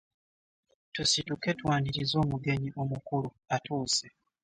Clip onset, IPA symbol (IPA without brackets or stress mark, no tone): t